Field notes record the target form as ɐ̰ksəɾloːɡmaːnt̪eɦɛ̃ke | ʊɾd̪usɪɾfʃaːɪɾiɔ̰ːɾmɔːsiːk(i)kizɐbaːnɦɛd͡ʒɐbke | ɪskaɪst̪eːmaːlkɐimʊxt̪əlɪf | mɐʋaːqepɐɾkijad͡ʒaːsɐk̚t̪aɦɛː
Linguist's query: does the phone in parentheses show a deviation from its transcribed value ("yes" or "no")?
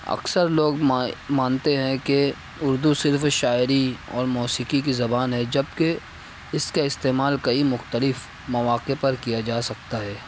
no